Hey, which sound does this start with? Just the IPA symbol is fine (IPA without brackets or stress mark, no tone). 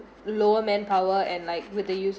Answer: l